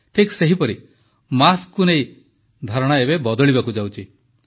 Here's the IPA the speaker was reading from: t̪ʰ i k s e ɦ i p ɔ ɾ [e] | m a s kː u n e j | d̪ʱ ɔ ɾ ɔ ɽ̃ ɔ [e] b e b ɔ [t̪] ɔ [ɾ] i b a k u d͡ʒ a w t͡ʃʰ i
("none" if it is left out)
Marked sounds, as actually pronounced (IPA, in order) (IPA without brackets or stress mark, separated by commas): i, e, d̪, ɭ